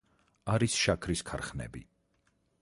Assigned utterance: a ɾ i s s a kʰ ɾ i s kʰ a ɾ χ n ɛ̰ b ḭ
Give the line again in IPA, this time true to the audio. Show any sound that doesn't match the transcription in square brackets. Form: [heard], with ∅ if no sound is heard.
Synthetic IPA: a ɾ i s [ʃ] a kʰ ɾ i s kʰ a ɾ χ n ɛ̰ b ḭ